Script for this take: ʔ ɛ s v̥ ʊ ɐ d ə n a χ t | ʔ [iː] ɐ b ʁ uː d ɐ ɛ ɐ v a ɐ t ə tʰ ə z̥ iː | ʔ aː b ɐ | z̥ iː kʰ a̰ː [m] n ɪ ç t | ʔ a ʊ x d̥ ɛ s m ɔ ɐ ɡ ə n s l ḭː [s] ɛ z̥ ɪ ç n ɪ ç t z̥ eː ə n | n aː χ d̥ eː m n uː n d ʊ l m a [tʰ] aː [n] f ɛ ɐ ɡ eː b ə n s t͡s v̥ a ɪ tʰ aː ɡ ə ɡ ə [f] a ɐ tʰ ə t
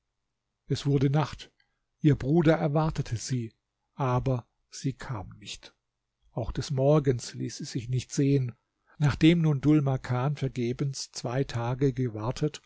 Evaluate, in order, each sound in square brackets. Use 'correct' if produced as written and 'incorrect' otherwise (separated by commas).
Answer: correct, correct, correct, incorrect, correct, incorrect